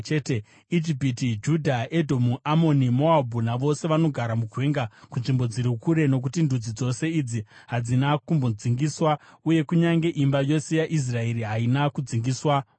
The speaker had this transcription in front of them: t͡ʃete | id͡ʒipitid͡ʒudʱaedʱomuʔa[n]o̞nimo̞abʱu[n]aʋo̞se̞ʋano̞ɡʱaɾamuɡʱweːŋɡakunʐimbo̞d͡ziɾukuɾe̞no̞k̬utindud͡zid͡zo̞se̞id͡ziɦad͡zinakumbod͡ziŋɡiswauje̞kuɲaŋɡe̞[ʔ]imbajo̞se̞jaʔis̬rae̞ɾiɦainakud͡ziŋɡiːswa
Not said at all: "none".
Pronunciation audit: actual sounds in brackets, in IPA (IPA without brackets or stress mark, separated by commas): m, n, ʔ